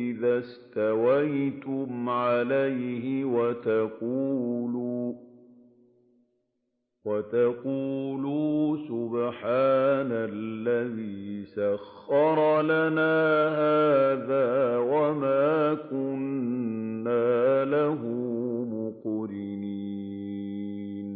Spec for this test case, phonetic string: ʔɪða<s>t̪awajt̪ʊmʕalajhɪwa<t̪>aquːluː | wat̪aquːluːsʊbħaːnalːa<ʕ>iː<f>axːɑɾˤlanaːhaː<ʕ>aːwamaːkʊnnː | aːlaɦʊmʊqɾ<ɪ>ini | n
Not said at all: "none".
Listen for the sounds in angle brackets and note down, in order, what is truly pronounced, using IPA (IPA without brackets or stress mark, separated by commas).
s, t̪, ð, s, ð, ɪ